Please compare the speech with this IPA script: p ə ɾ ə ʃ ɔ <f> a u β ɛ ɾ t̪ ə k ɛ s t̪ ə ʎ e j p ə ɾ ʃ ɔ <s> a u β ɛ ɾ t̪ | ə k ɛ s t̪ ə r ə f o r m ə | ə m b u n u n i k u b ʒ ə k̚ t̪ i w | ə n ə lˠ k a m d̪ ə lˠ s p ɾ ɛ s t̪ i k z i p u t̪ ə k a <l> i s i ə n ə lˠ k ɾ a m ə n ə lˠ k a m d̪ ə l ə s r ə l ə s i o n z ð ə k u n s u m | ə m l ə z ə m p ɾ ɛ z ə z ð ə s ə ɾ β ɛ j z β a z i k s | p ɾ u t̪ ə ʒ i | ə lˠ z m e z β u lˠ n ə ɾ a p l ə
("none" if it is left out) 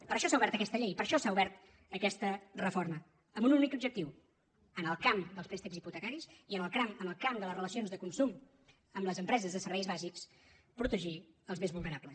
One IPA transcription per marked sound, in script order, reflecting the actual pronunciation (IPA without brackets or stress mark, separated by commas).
s, s, ɾ